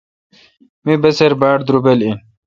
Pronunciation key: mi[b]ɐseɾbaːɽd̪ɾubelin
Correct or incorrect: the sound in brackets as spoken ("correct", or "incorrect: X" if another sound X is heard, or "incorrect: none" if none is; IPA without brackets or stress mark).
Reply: correct